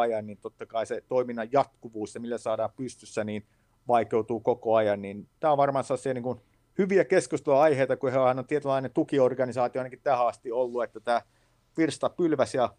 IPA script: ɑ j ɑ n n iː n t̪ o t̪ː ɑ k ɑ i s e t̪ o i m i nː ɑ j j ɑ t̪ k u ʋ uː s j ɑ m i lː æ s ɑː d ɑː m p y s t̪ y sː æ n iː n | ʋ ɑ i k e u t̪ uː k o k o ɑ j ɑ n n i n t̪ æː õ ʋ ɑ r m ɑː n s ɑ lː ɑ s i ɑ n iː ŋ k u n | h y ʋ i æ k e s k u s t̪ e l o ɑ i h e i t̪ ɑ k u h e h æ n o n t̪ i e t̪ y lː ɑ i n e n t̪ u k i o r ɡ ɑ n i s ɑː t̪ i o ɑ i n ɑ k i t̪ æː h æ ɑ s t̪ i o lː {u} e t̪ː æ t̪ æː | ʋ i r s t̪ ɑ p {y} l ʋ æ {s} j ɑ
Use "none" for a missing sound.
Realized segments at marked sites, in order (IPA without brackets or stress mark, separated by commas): u, y, s